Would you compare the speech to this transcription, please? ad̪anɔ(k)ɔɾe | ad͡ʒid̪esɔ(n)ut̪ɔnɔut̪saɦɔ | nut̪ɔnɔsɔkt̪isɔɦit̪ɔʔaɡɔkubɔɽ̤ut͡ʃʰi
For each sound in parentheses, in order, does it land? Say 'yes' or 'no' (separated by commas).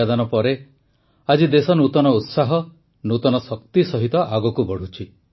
no, yes